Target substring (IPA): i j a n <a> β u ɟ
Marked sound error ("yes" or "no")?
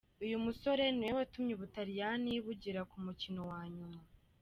yes